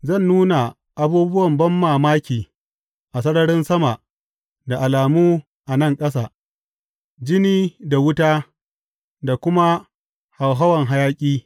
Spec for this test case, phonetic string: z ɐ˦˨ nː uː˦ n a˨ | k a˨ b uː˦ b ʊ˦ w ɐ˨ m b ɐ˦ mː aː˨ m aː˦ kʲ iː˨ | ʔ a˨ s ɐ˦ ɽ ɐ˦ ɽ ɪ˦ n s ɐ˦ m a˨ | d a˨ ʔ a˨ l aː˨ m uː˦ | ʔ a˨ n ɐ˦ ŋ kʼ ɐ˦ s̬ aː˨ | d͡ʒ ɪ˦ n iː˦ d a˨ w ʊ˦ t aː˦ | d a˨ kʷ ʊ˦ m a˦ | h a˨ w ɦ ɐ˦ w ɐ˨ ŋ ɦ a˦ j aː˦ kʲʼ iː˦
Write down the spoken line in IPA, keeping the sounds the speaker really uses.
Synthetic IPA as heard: z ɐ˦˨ nː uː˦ n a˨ | ʔ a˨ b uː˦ b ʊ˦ w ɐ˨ m b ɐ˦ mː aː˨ m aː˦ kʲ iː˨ | ʔ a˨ s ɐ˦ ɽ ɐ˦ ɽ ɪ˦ n s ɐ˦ m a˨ | d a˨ ʔ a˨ l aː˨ m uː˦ | ʔ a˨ n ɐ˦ ŋ kʼ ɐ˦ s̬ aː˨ | d͡ʒ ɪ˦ n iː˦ d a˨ w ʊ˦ t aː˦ | d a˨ kʷ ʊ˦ m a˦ | h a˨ w ɦ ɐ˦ w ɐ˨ ŋ ɦ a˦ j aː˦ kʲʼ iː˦